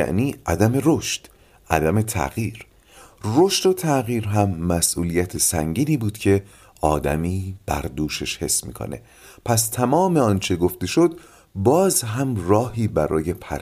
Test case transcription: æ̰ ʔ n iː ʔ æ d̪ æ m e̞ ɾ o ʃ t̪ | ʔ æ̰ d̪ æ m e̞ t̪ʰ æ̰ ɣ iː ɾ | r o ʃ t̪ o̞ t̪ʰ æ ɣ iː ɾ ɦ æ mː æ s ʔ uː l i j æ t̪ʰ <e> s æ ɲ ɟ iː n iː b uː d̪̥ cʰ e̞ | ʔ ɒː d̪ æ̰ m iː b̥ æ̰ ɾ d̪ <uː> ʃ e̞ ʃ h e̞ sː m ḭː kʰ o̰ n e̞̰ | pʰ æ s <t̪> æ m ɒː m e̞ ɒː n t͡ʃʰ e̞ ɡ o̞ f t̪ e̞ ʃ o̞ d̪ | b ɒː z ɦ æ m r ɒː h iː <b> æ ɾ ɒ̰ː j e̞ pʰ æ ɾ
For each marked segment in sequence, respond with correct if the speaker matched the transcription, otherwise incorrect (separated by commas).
correct, correct, incorrect, correct